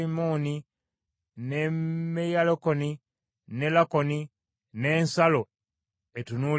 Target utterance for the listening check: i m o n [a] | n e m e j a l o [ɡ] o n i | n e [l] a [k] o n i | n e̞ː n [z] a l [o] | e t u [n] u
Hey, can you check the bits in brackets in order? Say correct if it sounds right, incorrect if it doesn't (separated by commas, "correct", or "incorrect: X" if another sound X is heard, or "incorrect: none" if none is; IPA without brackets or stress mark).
incorrect: i, incorrect: k, correct, correct, incorrect: s, correct, correct